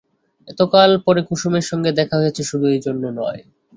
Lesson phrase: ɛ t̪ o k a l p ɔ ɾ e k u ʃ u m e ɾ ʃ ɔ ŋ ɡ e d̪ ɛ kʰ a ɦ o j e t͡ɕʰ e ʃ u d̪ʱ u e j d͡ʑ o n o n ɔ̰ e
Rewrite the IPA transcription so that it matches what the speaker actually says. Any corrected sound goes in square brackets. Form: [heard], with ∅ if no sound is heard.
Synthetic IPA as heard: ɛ t̪ o k a l p ɔ ɾ e k u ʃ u m e ɾ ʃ ɔ ŋ ɡ e d̪ ɛ kʰ a ɦ o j e t͡ɕʰ e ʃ u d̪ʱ u e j d͡ʑ o [nː] o n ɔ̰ e